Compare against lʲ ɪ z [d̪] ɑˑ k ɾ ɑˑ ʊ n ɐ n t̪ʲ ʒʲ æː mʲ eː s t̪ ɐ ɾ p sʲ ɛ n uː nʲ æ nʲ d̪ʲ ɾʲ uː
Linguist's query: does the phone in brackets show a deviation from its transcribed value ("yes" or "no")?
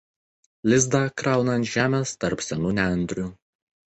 no